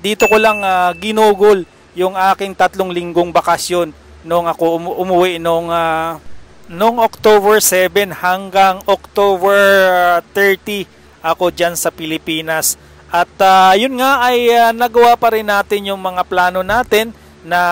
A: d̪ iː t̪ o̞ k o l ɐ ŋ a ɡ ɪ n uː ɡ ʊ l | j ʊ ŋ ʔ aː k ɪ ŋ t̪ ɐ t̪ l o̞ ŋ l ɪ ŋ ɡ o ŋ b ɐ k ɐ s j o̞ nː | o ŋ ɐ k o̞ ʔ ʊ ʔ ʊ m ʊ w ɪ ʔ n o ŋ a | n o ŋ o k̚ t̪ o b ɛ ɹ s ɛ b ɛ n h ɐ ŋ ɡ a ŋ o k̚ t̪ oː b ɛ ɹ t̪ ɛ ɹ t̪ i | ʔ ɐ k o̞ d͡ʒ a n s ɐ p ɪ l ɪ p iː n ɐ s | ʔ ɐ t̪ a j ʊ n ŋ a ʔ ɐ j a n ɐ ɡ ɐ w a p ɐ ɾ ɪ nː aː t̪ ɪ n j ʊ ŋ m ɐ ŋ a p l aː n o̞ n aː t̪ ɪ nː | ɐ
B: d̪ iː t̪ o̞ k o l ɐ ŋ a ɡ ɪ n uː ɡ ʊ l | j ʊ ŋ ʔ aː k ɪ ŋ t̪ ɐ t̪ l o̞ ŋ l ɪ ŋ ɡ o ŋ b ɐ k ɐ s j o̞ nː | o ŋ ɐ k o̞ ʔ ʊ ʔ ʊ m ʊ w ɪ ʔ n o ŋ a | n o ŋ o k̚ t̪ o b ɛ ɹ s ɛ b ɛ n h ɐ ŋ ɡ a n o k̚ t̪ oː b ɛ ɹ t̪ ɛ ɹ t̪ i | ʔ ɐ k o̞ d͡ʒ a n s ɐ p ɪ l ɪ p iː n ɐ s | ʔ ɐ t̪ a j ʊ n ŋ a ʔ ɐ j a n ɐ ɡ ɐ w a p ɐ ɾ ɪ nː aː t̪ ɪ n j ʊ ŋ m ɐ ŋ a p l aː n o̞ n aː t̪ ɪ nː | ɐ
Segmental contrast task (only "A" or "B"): A